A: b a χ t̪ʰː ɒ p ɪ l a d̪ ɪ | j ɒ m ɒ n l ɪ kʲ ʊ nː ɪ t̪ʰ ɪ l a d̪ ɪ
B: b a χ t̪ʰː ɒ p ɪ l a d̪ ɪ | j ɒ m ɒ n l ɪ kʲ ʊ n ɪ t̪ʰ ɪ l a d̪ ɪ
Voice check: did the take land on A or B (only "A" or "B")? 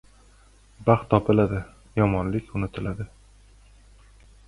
B